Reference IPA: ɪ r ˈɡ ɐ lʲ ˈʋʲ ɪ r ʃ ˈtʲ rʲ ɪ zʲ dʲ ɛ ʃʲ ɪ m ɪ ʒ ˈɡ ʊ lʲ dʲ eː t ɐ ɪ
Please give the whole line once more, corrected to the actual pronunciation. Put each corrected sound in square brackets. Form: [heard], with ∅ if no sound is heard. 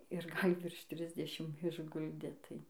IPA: ɪ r ˈɡ ɐ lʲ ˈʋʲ ɪ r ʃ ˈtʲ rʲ ɪ zʲ dʲ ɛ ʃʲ ɪ m ɪ ʒ ˈɡ ʊ lʲ dʲ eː t ɐ ɪ

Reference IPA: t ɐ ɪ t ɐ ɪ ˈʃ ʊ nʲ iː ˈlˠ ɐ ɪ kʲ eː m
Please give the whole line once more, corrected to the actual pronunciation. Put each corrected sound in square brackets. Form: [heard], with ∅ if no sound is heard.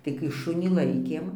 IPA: t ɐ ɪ [k] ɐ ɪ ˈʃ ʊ nʲ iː ˈlˠ ɐ ɪ kʲ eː m

